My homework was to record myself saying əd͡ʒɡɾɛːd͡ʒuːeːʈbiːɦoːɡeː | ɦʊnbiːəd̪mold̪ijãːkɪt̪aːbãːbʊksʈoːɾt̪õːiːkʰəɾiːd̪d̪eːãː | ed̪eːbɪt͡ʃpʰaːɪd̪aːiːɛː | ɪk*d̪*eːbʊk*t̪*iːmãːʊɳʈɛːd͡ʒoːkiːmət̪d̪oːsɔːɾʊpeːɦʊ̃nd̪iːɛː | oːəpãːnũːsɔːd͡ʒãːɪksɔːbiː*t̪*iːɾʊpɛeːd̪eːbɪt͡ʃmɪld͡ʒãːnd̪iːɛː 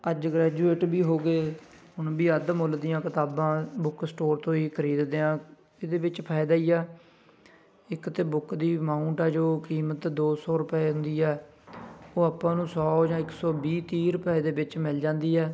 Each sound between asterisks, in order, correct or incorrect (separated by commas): incorrect, incorrect, correct